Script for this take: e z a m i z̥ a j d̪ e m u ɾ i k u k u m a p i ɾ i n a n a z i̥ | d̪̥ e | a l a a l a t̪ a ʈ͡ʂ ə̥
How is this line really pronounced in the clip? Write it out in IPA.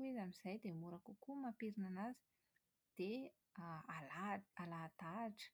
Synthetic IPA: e z a m i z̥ a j d̪ e m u ɾ a k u k u m a p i ɾ i n a n a z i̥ | d̪̥ e | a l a a l a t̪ a ʈ͡ʂ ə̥

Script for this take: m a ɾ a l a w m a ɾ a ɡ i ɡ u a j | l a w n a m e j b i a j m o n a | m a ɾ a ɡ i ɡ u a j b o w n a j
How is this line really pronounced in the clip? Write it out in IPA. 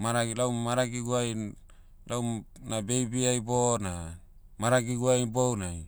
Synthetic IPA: m a ɾ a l a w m a ɾ a ɡ i ɡ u a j | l a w n a b e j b i a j b o n a | m a ɾ a ɡ i ɡ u a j b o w n a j

